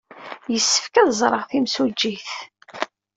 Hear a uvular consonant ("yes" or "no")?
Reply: yes